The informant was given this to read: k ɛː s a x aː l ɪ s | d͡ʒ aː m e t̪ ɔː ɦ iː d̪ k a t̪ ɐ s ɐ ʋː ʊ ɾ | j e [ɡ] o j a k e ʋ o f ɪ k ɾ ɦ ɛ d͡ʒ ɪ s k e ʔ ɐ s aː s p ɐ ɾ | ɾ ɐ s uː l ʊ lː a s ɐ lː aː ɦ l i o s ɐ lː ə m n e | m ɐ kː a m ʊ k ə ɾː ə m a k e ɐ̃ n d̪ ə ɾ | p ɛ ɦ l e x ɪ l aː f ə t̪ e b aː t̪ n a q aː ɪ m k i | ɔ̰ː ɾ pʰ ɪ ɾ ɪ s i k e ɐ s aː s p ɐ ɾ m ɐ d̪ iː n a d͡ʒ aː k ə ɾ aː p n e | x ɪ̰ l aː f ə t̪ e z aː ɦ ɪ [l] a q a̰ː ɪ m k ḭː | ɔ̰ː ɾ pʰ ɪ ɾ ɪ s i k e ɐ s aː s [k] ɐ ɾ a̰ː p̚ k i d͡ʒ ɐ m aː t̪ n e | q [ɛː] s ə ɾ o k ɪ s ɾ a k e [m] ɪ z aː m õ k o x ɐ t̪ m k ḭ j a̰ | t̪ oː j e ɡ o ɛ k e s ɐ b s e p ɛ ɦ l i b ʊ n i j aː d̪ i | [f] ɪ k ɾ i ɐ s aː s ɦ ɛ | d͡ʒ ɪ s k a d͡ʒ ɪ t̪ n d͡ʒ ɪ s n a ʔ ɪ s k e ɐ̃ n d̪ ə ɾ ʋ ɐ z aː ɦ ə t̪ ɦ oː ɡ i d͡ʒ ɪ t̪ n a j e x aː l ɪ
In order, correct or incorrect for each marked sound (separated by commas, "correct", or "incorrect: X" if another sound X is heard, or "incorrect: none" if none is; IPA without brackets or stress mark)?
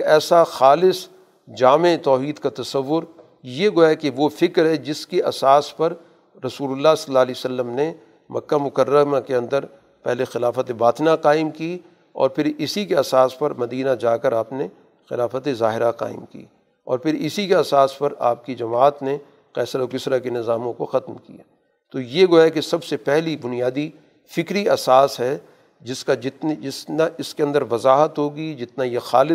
correct, incorrect: ɾ, incorrect: p, correct, incorrect: n, correct